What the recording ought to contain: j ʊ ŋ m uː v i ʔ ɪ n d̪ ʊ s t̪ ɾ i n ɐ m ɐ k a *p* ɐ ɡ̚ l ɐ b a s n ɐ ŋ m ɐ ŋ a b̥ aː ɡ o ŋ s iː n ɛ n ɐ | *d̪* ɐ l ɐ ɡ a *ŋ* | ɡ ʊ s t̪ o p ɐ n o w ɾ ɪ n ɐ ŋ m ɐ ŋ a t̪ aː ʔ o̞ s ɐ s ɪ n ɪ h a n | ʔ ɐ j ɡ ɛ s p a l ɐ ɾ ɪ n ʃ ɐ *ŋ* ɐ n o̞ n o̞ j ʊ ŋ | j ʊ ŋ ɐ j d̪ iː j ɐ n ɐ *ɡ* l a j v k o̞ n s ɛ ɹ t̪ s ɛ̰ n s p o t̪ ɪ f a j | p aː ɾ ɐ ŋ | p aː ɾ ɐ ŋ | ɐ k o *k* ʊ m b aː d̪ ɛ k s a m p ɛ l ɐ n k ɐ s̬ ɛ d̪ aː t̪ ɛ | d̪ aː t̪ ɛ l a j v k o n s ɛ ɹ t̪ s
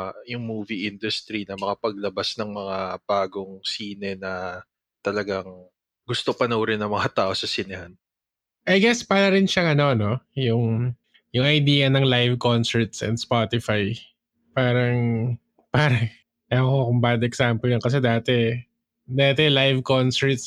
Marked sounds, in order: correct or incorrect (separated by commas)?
correct, incorrect, correct, correct, incorrect, correct